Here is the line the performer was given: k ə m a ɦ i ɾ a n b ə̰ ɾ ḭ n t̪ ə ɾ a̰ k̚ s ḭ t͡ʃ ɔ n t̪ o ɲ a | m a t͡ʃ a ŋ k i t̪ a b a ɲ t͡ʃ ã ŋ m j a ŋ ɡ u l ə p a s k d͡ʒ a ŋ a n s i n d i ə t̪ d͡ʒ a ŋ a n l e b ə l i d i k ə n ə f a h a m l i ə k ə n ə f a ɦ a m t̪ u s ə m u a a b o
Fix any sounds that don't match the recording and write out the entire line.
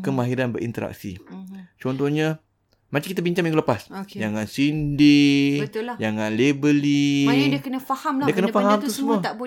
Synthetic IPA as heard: k ə m a ɦ i ɾ a n b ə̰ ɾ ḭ n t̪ ə ɾ a̰ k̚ s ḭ t͡ʃ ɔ n t̪ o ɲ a | m a t͡ʃ a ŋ k i t̪ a b i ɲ t͡ʃ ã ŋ m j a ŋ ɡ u l ə p a s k d͡ʒ a ŋ a n s i n d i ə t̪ d͡ʒ a ŋ a n l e b ə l i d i k ə n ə f a h a m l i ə k ə n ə f a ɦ a m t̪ u s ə m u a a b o